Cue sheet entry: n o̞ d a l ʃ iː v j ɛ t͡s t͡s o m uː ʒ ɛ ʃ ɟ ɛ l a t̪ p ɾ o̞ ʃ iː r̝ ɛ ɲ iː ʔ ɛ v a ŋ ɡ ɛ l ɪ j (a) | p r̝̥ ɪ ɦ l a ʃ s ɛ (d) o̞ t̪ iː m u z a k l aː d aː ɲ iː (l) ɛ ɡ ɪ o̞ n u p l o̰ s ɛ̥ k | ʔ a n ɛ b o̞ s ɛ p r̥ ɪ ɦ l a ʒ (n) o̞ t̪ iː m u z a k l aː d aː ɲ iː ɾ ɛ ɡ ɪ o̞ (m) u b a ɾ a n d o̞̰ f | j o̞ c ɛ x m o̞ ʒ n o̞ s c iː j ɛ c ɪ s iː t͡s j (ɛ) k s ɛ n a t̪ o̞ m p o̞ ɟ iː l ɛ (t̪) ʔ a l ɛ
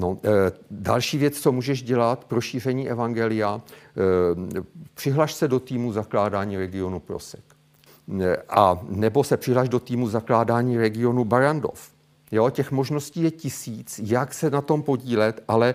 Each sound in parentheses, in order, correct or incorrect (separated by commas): correct, correct, incorrect, incorrect, incorrect, incorrect, correct